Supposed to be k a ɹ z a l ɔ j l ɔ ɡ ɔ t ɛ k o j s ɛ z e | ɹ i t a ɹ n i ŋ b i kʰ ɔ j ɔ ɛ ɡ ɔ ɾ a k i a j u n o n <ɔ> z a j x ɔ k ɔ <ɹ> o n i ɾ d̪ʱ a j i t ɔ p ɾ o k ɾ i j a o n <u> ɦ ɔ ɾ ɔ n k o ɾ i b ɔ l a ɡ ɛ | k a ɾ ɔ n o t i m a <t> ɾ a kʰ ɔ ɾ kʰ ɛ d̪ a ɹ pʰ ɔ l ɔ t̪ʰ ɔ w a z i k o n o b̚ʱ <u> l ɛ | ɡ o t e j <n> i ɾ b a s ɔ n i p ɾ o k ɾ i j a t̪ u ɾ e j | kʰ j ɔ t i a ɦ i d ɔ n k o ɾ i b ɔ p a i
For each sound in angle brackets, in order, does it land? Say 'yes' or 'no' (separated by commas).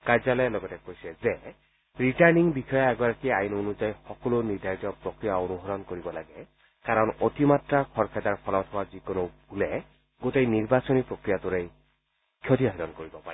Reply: no, no, yes, yes, yes, yes